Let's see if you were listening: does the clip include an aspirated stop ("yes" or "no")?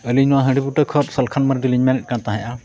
yes